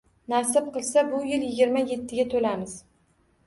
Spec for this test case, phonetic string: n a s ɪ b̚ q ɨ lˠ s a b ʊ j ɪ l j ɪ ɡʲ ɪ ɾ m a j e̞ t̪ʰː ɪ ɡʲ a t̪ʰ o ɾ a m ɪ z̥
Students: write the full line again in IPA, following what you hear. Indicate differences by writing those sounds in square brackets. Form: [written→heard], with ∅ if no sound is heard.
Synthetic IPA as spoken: n a s ɪ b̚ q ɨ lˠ s a b ʊ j ɪ l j ɪ ɡʲ ɪ ɾ m a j e̞ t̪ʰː ɪ ɡʲ a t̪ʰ o [ɾ→l] a m ɪ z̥